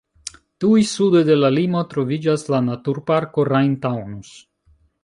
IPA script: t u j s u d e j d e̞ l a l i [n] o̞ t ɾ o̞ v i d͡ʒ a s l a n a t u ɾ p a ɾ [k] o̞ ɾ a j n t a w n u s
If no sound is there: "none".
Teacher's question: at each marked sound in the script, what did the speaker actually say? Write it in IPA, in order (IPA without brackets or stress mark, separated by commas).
m, k